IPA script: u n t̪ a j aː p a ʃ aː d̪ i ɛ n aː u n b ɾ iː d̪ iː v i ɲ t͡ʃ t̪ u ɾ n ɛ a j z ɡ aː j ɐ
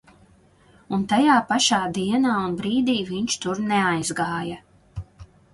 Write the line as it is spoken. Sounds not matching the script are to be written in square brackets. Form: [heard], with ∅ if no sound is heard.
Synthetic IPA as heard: u n t̪ a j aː p a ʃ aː d̪ i ɛ n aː u n b ɾ iː d̪ iː v i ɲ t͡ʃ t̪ u ɾ n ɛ a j z ɡ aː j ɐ